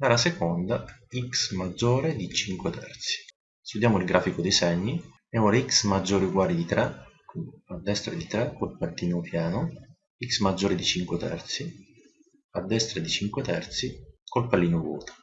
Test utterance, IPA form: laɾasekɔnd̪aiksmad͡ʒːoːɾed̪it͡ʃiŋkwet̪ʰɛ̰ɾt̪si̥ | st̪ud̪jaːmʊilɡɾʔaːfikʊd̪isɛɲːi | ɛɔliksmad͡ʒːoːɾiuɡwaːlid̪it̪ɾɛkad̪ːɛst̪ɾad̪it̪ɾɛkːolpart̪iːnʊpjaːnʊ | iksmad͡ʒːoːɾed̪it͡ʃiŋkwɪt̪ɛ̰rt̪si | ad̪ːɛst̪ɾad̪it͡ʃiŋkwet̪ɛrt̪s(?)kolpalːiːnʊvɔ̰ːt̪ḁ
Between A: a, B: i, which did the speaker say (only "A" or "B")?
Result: B